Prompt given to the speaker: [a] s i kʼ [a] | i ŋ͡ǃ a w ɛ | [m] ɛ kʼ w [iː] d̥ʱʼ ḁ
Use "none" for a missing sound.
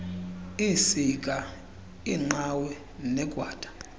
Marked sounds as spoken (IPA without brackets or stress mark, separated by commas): i, a, n, aː